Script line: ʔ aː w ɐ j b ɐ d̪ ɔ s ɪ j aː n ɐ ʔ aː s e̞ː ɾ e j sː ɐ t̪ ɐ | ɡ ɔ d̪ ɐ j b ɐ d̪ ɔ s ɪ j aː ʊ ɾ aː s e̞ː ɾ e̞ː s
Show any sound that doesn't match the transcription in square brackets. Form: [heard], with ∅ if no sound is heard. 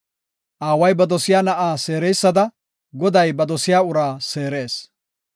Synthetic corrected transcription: ʔ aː w ɐ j b ɐ d̪ ɔ s ɪ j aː n ɐ ʔ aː s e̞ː ɾ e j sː ɐ [d̪] ɐ | ɡ ɔ d̪ ɐ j b ɐ d̪ ɔ s ɪ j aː ʊ ɾ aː s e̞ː ɾ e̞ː s